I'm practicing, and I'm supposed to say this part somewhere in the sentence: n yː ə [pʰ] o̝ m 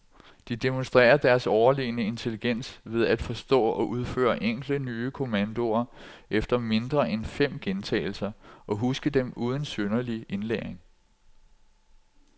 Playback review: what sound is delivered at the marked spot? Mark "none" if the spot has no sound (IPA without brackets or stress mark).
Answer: kʰ